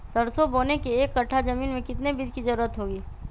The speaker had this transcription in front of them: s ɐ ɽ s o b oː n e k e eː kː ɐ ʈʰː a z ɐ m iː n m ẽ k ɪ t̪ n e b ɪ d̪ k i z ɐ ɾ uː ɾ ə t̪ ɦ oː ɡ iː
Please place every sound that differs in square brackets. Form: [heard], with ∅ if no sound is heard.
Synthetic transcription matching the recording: s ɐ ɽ s o b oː n e k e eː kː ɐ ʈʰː a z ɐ m iː n m ẽ k ɪ t̪ n e b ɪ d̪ k i z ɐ ɾ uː ɾ ə t̪ ɦ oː ɡ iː